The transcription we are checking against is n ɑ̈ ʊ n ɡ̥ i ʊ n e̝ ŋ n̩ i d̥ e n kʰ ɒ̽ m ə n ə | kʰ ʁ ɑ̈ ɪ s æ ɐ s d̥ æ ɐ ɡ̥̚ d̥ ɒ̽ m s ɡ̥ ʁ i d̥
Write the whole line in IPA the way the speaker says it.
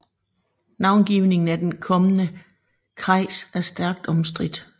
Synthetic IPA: n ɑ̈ ʊ n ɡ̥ i ʊ n e̝ ŋ n̩ æ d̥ e n kʰ ɒ̽ m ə n ə | kʰ ʁ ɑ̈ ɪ s æ ɐ s d̥ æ ɐ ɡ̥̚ d̥ ɒ̽ m s d̥ ʁ i d̥